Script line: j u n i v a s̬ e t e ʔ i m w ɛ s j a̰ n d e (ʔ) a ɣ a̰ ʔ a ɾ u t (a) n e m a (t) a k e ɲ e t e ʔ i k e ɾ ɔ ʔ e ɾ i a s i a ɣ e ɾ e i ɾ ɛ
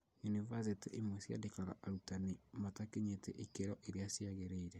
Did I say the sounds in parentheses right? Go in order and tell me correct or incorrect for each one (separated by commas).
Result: incorrect, correct, correct